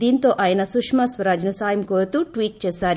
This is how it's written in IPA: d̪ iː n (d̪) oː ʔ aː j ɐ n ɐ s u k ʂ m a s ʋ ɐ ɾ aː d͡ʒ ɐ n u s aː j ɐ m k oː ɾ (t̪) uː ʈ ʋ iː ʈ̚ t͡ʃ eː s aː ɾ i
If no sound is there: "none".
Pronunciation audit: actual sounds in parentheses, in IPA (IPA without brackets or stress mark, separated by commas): t̪, t̪